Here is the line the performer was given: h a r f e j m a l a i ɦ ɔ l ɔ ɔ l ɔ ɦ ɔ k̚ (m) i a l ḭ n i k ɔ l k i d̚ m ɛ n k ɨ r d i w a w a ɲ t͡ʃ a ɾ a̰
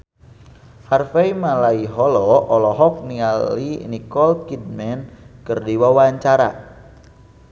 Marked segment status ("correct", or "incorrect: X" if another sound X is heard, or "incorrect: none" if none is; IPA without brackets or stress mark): incorrect: n